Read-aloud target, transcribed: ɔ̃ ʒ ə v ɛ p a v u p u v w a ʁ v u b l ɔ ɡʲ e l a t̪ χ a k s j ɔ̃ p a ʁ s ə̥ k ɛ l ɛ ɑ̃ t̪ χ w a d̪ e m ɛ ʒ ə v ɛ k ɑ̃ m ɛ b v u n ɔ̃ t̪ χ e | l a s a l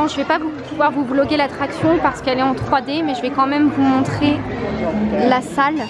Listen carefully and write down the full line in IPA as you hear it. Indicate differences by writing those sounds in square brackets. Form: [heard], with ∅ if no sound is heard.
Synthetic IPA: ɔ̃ ʒ ə v ɛ p a v u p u v w a ʁ v u b l ɔ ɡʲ e l a t̪ χ a k s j ɔ̃ p a ʁ s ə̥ k ɛ l ɛ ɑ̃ t̪ χ w a d̪ e m ɛ ʒ ə v ɛ k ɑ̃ m ɛ [m] v u [m] ɔ̃ t̪ χ e | l a s a l